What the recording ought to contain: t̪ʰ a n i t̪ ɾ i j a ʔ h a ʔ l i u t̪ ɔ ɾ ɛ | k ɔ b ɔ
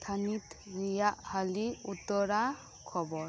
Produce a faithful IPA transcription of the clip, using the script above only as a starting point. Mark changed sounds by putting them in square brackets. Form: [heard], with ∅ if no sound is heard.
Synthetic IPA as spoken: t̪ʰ a n i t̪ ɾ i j a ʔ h a [∅] l i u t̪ ɔ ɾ [a] | [kʰ] ɔ b ɔ